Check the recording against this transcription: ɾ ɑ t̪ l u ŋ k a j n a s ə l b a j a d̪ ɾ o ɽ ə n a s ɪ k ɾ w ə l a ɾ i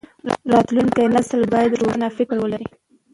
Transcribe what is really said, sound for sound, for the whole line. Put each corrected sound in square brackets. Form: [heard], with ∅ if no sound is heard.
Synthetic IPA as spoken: ɾ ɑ t̪ l u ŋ k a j n a s ə l b [ɑ] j a d̪ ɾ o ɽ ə n a [f] ɪ k ɾ w ə l a ɾ i